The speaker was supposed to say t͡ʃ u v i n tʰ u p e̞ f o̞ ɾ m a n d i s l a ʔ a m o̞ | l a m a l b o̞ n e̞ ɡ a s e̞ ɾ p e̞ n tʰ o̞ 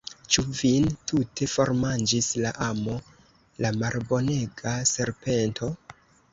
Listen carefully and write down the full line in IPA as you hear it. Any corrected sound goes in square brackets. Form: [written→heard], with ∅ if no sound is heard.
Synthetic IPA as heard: t͡ʃ u v i n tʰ u [p→t] e̞ f o̞ ɾ m a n [d→d͡ʒ] i s l a ʔ a m o̞ | l a m a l b o̞ n e̞ ɡ a s e̞ ɾ p e̞ n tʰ o̞